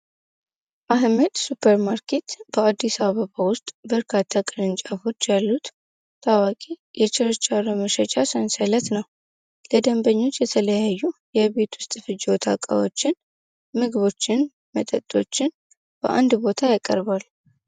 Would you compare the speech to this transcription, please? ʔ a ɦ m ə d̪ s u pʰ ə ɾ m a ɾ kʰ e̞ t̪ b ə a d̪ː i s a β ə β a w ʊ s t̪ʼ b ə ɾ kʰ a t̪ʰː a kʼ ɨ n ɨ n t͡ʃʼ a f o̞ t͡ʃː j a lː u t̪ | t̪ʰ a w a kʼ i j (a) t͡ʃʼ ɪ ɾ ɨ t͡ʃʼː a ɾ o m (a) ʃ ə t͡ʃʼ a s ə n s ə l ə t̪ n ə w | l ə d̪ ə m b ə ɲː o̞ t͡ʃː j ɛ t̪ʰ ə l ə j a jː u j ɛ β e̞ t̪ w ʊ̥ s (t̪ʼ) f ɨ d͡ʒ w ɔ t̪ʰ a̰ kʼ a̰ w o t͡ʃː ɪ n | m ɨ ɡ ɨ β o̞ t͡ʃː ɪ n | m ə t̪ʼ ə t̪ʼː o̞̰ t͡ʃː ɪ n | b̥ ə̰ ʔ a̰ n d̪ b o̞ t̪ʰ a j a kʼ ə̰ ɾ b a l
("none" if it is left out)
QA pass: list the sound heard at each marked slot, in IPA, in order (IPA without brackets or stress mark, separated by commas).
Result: ɛ, ə, t̪ʼ